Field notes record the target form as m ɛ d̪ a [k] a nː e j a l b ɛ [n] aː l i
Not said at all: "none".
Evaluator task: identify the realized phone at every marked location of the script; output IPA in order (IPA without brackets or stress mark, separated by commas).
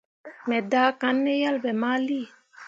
k, m